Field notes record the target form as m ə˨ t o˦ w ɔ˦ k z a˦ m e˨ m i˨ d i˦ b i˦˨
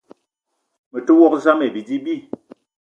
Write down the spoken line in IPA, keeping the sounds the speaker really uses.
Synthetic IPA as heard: m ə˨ t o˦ w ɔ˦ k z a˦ m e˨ b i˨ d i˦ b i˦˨